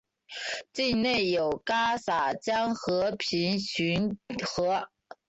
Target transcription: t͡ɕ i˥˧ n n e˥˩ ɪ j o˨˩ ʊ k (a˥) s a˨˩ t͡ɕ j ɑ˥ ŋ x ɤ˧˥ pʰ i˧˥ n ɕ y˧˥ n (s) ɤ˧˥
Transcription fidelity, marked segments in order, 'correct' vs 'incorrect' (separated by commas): correct, incorrect